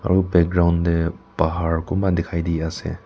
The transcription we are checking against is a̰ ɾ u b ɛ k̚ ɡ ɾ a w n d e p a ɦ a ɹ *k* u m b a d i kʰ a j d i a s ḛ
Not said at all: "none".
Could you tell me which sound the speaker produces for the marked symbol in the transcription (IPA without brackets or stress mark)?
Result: k